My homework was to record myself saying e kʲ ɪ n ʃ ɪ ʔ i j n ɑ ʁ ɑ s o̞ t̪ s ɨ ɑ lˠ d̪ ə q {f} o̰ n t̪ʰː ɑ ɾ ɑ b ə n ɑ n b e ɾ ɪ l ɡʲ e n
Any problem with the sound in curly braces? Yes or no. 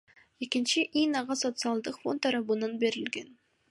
no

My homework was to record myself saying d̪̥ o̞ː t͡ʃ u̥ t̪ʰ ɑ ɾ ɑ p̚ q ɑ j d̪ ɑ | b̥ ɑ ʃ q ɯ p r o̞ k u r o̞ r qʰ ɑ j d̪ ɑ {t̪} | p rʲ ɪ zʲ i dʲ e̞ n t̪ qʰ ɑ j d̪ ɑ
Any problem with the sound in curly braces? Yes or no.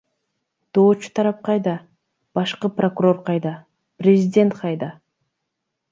yes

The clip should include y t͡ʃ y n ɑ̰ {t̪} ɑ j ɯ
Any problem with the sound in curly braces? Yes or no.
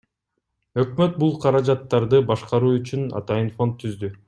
no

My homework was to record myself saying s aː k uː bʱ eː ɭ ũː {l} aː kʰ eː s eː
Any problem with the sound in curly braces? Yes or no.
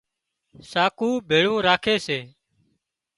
yes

